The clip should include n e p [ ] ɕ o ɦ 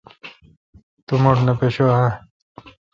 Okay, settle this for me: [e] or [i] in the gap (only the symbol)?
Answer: e